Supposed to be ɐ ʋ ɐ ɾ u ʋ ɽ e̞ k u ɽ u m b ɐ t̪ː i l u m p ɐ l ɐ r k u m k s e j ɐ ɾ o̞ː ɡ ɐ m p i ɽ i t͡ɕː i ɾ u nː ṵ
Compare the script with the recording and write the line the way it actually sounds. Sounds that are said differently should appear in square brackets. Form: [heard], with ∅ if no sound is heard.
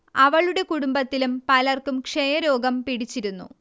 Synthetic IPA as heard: ɐ ʋ ɐ [ɭ] u [∅] ɽ e̞ k u ɽ u m b ɐ t̪ː i l u m p ɐ l ɐ r k u m k [ʂ] e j ɐ ɾ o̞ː ɡ ɐ m p i ɽ i t͡ɕː i ɾ u nː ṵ